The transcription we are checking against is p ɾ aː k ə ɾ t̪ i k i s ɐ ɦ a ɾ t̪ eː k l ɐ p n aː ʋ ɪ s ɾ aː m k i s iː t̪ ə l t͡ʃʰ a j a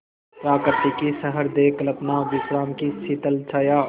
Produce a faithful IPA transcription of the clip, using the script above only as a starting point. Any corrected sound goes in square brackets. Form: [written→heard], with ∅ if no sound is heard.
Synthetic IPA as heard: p ɾ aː k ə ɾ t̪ i k i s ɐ ɦ [a→ə] ɾ [t̪→d̪] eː k l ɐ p n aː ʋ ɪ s ɾ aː m k i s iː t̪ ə l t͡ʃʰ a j a

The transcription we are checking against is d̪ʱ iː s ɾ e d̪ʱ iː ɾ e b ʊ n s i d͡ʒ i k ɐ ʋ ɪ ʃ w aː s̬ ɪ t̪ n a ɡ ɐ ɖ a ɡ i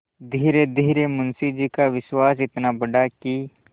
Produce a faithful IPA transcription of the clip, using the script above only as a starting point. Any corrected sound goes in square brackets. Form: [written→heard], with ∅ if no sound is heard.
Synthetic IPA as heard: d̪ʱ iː [s→∅] ɾ e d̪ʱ iː ɾ e [b→m] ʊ n s i d͡ʒ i k [ɐ→a] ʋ ɪ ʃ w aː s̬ ɪ t̪ n a [ɡ→b] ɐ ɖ a [ɡ→k] i

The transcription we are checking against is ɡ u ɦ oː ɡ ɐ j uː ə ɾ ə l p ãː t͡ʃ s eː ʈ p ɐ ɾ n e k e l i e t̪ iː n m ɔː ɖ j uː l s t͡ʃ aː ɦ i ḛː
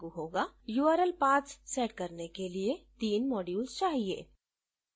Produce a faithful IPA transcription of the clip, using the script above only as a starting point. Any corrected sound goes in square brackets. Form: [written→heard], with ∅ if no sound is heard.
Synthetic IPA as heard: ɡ u ɦ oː ɡ [ɐ→a] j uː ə ɾ ə l p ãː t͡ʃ s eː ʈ [p→k] ɐ ɾ n e k e l i e t̪ iː n m ɔː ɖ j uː l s t͡ʃ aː ɦ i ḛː

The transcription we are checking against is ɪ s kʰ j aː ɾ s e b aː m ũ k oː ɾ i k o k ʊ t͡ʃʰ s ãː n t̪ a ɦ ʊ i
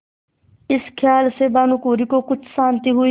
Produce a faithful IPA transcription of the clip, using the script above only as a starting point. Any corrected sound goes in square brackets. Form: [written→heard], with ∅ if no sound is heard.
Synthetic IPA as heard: ɪ s kʰ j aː [ɾ→l] s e b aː [m→n] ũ k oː ɾ i k o k ʊ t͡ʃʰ s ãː n t̪ [a→i] ɦ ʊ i

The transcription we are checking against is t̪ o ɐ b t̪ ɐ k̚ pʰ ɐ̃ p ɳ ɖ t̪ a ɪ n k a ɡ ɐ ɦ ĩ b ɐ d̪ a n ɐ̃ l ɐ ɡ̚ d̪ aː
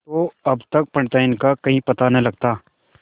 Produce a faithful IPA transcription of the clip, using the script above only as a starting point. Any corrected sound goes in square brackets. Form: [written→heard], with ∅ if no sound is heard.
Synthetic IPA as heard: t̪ o ɐ b t̪ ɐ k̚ [pʰ→p] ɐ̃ [p→∅] ɳ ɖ t̪ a ɪ n k a [ɡ→k] ɐ ɦ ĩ [b→p] ɐ [d̪→t̪] a n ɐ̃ l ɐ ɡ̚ [d̪→t̪] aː

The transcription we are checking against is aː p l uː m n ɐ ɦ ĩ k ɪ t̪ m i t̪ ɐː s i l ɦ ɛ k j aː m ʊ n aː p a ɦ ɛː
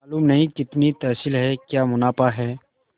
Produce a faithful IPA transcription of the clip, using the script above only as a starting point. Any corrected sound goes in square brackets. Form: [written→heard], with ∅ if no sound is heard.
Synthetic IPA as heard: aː [p→∅] l uː m n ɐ ɦ ĩ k ɪ t̪ [m→n] i t̪ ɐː s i l ɦ ɛ k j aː m ʊ n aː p a ɦ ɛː

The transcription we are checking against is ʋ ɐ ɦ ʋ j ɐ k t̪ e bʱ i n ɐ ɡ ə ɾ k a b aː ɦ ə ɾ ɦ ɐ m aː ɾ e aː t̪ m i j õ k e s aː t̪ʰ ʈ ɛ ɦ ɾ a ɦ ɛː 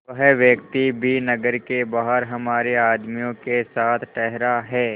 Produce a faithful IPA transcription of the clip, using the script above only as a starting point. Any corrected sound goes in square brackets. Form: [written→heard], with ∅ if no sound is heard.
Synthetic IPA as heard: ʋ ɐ ɦ ʋ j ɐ k t̪ [e→i] bʱ i n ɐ ɡ ə ɾ k [a→e] b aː ɦ ə ɾ ɦ ɐ m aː ɾ e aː [t̪→d̪] m i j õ k e s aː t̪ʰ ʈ ɛ ɦ ɾ a ɦ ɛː

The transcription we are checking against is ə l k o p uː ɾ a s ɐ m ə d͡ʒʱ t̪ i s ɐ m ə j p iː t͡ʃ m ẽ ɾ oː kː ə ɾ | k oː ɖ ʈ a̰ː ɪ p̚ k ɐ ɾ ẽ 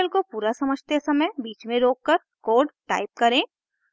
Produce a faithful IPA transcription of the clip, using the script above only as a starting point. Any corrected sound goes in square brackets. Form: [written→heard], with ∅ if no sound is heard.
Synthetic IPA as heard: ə l k o p uː ɾ a s ɐ m ə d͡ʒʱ t̪ [i→e] s ɐ m ə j [p→b] iː t͡ʃ m ẽ ɾ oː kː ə ɾ | k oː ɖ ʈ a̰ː ɪ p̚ k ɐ ɾ ẽ

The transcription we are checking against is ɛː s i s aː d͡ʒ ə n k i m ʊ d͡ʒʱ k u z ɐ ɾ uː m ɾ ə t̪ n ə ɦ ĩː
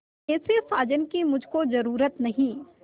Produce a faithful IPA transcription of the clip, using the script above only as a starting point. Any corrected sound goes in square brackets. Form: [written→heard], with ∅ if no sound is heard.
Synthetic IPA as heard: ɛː s [i→e] s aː d͡ʒ ə n k i m ʊ d͡ʒʱ k [u→o] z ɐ ɾ uː [m→∅] ɾ ə t̪ n [ə→ɐ] ɦ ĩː

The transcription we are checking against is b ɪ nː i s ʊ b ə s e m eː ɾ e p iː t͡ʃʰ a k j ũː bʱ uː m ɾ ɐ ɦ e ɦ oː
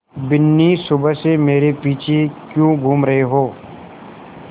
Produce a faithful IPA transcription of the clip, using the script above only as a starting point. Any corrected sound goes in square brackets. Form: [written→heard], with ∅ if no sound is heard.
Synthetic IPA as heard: b ɪ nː i s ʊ b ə s e m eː ɾ e p iː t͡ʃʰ [a→e] k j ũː [bʱ→ɡʱ] uː m ɾ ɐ ɦ e ɦ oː

